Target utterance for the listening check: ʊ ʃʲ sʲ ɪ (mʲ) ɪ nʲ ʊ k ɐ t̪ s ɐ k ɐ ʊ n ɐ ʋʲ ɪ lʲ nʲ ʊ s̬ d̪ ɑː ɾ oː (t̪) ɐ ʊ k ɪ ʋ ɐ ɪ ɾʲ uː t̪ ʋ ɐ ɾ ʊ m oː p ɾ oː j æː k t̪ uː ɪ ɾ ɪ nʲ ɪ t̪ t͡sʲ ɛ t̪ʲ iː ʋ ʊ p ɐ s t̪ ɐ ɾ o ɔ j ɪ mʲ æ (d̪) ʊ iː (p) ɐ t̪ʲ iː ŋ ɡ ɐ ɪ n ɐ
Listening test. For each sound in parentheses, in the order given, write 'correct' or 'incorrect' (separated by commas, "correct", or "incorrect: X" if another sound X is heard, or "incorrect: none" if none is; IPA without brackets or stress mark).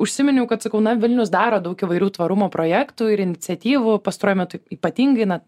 correct, incorrect: d̪, incorrect: t̪, correct